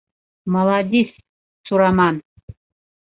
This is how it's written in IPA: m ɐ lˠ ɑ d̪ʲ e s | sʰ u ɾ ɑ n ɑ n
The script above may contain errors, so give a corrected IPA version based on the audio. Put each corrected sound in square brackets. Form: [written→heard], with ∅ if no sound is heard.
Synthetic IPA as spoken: m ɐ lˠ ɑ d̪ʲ [e→i] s | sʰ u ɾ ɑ [n→m] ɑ n